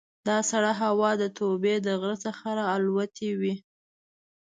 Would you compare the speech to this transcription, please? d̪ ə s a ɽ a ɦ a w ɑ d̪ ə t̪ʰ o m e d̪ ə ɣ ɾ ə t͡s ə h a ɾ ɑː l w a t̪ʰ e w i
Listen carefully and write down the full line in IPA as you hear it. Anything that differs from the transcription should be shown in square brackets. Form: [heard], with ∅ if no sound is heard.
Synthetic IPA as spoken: d̪ [ɑ] s a ɽ a ɦ a w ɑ d̪ ə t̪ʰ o [b] e d̪ ə ɣ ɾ ə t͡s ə [x] a ɾ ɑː l w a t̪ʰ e w i